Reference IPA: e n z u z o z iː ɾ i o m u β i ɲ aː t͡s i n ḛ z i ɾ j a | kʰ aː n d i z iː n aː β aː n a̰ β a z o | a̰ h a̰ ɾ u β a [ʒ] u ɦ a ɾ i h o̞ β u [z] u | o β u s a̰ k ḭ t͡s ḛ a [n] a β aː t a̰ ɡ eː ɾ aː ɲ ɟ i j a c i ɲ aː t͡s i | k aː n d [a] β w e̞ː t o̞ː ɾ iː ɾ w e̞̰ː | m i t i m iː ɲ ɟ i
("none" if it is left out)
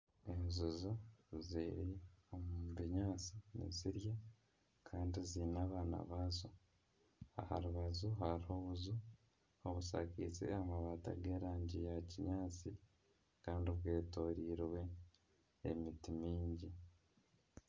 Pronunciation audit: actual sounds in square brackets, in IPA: z, z, m, i

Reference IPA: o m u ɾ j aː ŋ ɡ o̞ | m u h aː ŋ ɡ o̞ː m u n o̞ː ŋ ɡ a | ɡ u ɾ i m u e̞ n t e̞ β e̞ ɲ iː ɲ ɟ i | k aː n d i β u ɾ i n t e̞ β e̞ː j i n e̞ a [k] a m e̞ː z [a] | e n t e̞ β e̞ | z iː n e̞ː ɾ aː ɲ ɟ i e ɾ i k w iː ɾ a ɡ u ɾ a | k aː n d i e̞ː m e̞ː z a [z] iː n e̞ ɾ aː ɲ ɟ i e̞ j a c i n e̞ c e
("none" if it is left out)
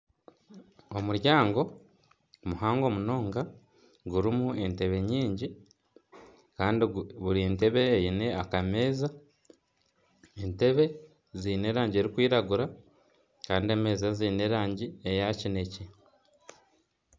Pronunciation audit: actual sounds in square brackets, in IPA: k, a, z

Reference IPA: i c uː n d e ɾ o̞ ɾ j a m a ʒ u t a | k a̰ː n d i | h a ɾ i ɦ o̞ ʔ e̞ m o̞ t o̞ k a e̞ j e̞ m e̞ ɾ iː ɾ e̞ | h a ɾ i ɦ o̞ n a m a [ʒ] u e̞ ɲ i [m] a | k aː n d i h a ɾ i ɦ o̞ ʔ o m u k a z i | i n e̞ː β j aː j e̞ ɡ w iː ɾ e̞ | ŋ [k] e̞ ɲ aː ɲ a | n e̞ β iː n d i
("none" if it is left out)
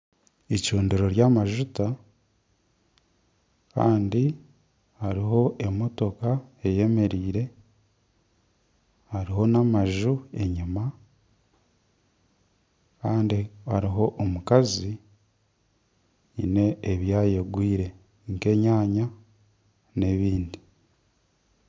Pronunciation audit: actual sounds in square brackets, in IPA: ʒ, m, k

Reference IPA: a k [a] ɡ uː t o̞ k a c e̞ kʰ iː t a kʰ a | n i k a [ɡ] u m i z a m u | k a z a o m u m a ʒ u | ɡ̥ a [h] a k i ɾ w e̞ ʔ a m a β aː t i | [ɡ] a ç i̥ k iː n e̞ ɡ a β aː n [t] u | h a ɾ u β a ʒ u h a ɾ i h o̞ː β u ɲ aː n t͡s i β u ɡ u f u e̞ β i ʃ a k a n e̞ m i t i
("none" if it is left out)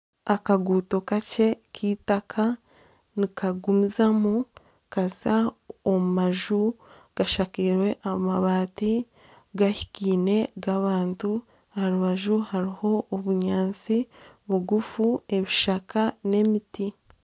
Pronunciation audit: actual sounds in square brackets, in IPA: a, ɡ, ʃ, ɡ, t

